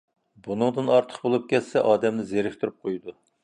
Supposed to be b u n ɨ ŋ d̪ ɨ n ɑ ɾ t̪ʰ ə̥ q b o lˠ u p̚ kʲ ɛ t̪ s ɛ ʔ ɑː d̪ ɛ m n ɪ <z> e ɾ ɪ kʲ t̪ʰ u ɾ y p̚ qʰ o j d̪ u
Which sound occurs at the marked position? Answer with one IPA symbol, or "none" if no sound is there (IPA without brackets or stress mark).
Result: z